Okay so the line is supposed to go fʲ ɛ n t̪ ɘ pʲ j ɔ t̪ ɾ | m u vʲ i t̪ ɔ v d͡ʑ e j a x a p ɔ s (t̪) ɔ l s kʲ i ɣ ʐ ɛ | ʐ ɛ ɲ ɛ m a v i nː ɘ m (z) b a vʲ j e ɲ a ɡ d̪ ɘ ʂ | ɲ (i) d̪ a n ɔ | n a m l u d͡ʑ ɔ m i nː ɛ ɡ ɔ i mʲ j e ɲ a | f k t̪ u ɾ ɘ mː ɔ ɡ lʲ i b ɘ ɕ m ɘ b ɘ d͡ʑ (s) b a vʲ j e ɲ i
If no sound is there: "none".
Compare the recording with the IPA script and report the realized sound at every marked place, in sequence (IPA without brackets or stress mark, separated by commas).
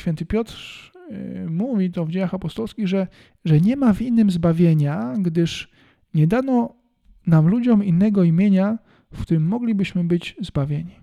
t̪, z, ɛ, z